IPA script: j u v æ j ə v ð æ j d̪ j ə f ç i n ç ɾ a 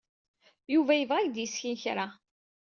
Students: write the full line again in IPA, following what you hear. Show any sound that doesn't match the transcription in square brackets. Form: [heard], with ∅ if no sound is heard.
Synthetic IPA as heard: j u v æ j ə v [ʁ] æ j d̪ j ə [s] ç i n ç ɾ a